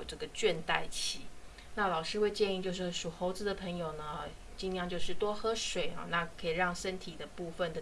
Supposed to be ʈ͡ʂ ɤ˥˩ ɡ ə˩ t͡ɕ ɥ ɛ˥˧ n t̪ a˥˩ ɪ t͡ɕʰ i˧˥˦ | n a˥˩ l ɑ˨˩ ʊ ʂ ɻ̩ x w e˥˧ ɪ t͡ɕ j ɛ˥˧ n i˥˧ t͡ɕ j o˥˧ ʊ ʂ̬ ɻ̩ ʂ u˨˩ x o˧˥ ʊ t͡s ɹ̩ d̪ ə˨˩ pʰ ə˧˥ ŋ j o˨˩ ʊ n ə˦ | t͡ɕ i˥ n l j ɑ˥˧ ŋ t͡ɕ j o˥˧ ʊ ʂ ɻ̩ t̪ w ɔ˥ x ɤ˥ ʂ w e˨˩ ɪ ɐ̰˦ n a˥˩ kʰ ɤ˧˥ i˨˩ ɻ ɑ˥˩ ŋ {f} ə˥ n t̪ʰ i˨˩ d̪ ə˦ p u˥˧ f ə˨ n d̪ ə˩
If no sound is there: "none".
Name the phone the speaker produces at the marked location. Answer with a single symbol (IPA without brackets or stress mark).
ʂ